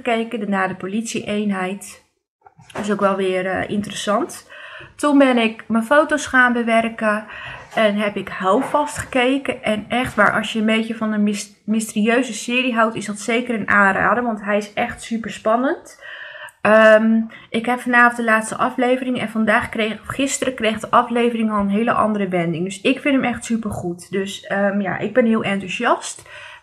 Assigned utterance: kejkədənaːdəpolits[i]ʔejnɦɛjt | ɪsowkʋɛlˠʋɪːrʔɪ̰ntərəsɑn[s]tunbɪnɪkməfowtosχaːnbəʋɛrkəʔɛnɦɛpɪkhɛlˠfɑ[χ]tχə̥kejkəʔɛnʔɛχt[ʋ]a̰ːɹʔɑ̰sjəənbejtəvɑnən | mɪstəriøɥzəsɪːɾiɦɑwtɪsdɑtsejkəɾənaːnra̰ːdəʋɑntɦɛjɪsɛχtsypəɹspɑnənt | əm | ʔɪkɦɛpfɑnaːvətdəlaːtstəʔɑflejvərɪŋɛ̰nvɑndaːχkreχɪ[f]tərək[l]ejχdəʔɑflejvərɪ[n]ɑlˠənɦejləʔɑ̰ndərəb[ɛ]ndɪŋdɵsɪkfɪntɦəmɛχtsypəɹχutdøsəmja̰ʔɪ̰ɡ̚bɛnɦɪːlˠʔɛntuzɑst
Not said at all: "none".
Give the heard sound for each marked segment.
i, t, s, ʋ, s, r, ŋ, ɛ

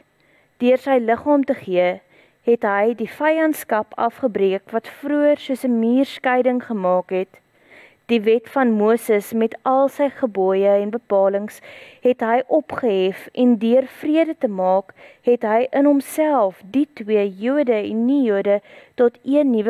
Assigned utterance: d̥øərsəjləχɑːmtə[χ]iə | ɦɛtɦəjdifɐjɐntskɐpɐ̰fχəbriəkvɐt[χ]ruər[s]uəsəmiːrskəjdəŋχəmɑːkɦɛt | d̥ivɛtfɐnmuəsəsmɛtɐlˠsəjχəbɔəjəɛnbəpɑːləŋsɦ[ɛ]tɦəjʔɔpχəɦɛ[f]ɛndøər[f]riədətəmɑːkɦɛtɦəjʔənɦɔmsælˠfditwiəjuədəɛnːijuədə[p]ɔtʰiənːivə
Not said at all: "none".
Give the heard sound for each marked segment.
χ, f, s, ɛ, f, f, t

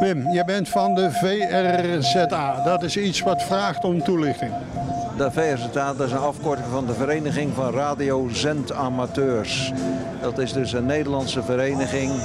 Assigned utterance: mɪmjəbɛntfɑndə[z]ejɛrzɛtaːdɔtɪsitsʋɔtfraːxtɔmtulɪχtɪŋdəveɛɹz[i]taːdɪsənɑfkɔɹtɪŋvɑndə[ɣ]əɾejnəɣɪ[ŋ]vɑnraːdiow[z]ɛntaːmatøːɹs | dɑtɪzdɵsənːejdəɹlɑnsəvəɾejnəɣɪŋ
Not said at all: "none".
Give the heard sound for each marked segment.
v, ɛ, v, ŋ, z

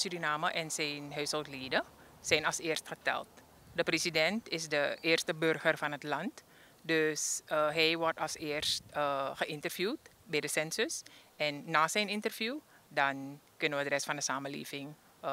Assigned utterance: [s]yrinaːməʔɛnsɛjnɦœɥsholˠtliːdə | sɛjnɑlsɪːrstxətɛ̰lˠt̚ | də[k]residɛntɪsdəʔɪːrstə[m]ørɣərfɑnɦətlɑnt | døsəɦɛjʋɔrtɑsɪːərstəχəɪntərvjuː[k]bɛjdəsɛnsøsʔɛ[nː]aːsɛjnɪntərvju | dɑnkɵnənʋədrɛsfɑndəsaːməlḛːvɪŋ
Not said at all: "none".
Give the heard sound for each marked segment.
s, p, b, t, nː

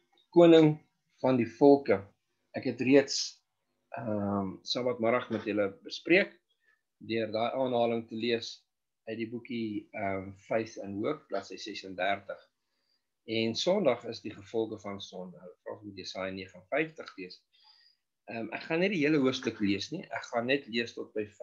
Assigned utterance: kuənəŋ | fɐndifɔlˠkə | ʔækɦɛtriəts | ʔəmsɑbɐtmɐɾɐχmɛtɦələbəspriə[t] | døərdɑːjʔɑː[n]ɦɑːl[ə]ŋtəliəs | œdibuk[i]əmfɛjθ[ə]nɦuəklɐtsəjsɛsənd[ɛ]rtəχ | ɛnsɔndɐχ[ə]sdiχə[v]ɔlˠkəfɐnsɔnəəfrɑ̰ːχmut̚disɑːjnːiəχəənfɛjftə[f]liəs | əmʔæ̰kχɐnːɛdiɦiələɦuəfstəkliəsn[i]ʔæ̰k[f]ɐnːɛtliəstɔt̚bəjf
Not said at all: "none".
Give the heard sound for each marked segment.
k, n, ə, i, ə, æ, ə, f, χ, i, χ

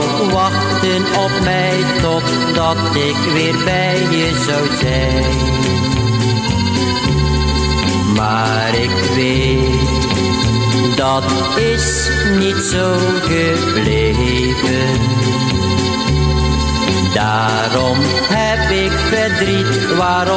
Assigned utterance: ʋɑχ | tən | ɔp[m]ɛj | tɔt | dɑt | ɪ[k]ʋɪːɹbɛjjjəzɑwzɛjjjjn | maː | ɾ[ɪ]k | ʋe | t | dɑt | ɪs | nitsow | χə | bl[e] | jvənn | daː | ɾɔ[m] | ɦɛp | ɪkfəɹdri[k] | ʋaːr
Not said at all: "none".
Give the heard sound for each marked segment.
m, k, ɪ, e, m, t

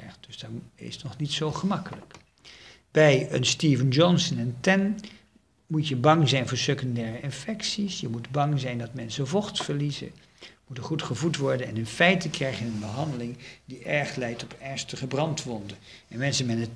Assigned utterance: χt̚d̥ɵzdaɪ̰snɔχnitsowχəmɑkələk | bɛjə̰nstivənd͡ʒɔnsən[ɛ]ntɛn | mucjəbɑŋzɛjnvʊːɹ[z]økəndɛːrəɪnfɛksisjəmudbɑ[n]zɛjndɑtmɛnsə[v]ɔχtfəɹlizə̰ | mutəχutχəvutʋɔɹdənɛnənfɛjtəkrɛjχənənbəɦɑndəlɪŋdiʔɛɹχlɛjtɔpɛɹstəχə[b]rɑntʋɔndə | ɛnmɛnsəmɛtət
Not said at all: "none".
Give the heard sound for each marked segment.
ɛ, s, ŋ, v, b

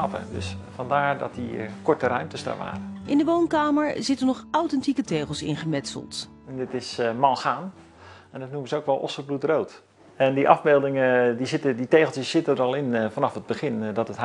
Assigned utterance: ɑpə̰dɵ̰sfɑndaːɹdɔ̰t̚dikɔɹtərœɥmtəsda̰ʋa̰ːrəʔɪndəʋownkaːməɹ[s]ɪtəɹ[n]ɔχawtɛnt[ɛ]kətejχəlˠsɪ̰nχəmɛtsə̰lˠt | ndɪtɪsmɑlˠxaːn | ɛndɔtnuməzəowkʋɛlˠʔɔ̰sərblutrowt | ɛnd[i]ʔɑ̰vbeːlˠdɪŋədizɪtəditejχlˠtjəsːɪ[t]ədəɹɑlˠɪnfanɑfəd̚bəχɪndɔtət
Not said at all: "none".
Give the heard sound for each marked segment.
z, n, i, i, t

